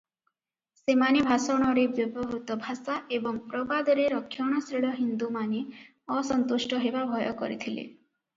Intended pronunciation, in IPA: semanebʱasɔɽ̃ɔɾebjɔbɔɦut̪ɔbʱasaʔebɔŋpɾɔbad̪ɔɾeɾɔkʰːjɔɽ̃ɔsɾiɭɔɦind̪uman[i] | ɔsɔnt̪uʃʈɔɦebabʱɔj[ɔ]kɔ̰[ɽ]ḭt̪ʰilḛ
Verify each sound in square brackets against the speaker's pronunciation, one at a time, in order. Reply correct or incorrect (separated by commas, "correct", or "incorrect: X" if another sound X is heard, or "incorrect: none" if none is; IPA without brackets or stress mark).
incorrect: e, correct, incorrect: ɾ